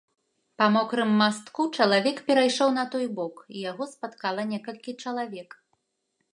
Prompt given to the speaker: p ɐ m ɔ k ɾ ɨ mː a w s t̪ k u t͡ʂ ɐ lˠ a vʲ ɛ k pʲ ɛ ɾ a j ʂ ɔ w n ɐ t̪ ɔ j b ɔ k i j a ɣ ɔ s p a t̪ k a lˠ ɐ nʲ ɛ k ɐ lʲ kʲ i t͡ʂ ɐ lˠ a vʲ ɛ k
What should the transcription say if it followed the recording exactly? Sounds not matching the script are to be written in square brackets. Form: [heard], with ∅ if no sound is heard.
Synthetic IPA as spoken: p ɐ m ɔ k ɾ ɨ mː a [∅] s t̪ k u t͡ʂ ɐ lˠ a vʲ ɛ k pʲ ɛ ɾ a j ʂ ɔ w n ɐ t̪ ɔ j b ɔ k i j a ɣ ɔ s p a t̪ k a lˠ ɐ nʲ ɛ k ɐ lʲ kʲ i t͡ʂ ɐ lˠ a vʲ ɛ k